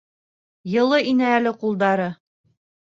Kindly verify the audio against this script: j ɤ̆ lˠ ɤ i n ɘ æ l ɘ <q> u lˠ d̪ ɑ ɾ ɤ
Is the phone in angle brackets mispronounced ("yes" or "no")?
no